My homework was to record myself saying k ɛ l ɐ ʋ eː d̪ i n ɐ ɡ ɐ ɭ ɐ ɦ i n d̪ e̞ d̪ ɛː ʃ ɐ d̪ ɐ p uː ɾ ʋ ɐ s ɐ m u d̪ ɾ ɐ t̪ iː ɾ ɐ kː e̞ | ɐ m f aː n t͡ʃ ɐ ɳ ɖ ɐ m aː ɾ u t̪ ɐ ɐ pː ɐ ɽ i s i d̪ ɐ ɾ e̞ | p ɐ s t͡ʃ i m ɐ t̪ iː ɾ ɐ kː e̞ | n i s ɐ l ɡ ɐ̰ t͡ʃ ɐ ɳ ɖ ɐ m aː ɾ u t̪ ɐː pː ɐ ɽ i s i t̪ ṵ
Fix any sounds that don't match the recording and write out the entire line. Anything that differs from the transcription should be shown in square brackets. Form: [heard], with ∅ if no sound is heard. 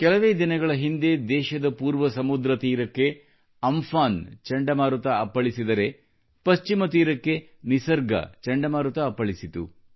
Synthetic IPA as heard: k ɛ l ɐ ʋ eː d̪ i n ɐ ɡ ɐ ɭ ɐ ɦ i n d̪ e̞ d̪ ɛː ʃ ɐ d̪ ɐ p uː ɾ ʋ ɐ s ɐ m u d̪ ɾ ɐ t̪ iː ɾ ɐ kː e̞ | ɐ m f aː n t͡ʃ ɐ ɳ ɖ ɐ m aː ɾ u t̪ ɐ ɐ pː ɐ [ɭ] i s i d̪ ɐ ɾ e̞ | p ɐ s t͡ʃ i m ɐ t̪ iː ɾ ɐ kː e̞ | n i s ɐ [ɾ] ɡ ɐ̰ t͡ʃ ɐ ɳ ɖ ɐ m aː ɾ u t̪ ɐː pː ɐ [ɭ] i s i t̪ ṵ